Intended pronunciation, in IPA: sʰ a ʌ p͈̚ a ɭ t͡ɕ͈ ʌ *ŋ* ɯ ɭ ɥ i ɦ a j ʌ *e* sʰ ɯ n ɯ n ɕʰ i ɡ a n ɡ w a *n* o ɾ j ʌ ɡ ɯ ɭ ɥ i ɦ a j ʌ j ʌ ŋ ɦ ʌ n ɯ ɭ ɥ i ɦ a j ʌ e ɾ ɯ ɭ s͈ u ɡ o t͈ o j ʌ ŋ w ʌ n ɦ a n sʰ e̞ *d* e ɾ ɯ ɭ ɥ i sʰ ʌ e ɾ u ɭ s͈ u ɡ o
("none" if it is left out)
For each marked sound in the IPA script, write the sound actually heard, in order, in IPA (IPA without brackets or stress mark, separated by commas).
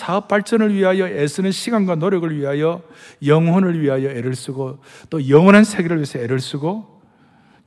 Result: n, e, n, ɡ